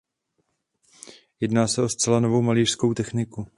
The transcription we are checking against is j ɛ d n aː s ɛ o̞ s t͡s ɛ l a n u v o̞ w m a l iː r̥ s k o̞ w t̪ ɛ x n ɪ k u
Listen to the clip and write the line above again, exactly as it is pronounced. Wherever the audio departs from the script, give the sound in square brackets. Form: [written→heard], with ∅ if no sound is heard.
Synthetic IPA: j ɛ d n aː s ɛ o̞ s t͡s ɛ l a n [u→o] v o̞ w m a l iː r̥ s k o̞ w t̪ ɛ x n ɪ k u